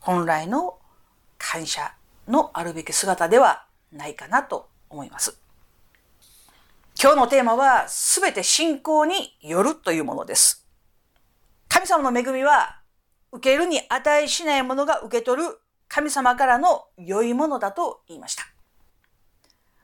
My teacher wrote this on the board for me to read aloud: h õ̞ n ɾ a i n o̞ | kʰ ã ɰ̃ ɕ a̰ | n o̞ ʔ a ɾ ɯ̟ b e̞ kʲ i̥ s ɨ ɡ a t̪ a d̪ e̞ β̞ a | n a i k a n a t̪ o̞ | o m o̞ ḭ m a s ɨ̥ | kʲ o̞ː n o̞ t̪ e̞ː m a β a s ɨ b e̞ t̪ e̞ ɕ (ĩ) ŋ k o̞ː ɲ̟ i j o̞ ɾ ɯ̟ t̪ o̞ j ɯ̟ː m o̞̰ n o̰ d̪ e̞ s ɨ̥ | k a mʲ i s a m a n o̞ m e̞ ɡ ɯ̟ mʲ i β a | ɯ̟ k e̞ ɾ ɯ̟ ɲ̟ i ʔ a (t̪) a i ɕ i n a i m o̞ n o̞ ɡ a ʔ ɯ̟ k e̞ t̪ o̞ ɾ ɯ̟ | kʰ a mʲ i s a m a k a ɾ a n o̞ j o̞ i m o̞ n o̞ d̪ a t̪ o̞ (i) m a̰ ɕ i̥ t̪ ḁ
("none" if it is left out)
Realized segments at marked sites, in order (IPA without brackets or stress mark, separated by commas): ĩ, t̪, iː